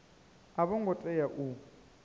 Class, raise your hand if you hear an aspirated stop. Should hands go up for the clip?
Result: no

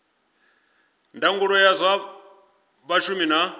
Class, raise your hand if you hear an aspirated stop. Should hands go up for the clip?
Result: no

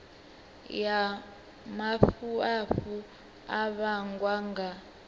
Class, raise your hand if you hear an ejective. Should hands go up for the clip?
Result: no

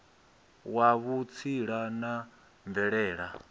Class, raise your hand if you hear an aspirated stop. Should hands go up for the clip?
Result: yes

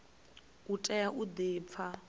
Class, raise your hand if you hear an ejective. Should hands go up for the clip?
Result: yes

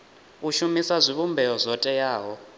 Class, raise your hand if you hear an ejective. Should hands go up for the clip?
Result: yes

